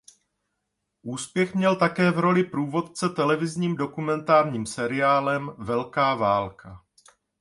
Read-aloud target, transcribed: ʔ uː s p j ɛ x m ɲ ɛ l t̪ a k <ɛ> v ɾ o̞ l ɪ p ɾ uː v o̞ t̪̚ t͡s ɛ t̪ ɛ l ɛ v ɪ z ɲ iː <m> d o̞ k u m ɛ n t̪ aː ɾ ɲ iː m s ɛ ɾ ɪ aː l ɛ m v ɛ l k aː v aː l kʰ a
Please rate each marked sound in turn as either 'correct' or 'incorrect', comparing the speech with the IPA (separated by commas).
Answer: incorrect, correct